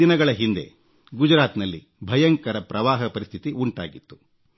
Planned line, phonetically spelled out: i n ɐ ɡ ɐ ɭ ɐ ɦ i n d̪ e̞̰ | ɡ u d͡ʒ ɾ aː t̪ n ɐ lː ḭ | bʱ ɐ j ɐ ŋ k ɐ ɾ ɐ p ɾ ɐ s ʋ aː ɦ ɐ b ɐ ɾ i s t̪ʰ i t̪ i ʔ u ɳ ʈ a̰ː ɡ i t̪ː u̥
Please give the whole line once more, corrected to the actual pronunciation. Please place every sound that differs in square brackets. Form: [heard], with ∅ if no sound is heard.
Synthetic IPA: i n ɐ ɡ ɐ ɭ ɐ ɦ i n d̪ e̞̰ | ɡ u d͡ʒ ɾ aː t̪ n ɐ lː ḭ | bʱ ɐ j ɐ ŋ k ɐ ɾ ɐ p ɾ ɐ [∅] ʋ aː ɦ ɐ [p] ɐ ɾ i s t̪ʰ i t̪ i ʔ u ɳ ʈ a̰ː ɡ i t̪ː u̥